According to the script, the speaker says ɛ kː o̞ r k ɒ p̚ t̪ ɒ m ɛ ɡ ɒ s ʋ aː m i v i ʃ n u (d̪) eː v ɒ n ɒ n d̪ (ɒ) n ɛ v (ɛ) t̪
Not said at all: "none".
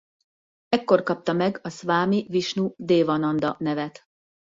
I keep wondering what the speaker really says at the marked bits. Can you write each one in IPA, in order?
d̪, ɒ, ɛ

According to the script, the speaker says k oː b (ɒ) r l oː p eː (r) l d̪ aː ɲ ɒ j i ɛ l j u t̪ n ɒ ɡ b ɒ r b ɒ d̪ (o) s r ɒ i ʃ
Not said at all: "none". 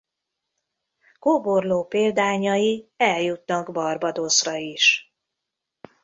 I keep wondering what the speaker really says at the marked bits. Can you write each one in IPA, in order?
o, none, o

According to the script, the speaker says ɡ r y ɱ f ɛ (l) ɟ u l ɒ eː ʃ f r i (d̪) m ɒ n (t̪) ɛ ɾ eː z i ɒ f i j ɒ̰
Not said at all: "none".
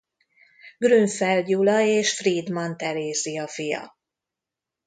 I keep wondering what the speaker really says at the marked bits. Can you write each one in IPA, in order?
l, d̪, t̪

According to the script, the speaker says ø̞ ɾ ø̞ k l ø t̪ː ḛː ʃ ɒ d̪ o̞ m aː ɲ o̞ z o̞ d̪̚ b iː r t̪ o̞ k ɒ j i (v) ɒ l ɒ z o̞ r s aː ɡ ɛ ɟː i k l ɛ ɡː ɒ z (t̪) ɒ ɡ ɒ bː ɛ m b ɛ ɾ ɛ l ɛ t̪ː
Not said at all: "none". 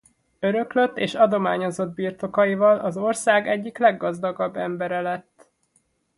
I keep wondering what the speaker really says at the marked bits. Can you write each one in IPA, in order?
v, d̪

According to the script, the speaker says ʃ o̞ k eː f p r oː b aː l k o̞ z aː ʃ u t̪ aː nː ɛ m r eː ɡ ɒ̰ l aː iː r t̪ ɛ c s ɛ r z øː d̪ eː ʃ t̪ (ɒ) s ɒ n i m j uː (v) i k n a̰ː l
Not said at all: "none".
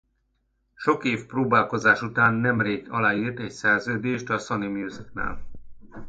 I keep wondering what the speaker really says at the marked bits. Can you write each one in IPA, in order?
ɒ, z

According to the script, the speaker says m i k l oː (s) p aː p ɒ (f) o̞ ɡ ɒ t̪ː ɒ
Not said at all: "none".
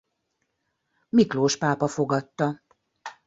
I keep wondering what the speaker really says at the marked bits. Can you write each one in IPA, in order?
ʃ, f

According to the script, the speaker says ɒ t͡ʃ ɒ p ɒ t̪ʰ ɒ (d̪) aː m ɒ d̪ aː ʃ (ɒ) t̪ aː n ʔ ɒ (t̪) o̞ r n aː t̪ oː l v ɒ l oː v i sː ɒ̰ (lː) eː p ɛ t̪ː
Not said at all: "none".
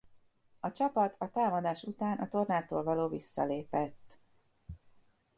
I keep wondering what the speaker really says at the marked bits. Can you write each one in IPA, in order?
t̪, u, t̪, l

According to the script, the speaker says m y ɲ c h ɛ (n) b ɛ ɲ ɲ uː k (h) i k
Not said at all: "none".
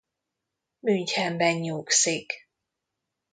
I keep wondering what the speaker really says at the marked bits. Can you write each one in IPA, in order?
m, s

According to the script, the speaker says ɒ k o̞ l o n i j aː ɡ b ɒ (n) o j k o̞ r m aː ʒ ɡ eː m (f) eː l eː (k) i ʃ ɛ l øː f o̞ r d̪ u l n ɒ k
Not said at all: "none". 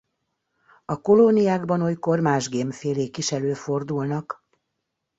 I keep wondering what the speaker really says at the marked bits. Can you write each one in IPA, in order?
n, f, k

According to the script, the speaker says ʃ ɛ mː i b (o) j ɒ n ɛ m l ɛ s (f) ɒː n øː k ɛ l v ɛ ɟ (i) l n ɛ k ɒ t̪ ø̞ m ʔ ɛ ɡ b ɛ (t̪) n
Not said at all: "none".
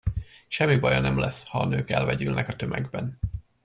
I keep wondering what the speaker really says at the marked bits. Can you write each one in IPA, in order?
ɒ, h, y, none

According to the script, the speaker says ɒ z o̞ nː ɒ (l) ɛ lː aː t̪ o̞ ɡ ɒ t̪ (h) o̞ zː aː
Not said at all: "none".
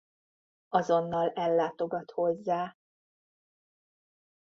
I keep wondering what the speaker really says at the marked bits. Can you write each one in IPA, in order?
l, h

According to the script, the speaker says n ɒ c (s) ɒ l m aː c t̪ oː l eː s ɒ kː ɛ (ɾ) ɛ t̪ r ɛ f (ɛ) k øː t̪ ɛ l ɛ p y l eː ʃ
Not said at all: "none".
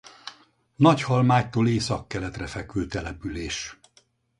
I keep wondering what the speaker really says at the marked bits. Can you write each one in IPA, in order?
h, l, ɛ

